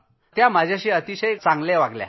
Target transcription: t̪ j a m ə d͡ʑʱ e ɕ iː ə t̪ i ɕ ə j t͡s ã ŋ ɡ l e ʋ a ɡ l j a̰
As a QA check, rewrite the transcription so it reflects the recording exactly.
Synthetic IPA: t̪ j a m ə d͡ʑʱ a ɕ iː ə t̪ i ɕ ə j t͡s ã ŋ ɡ l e ʋ a ɡ l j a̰